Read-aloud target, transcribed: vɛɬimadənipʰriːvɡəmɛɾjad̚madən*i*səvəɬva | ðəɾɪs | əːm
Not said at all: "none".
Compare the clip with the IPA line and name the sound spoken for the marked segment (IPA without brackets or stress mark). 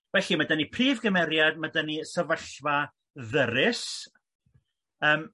i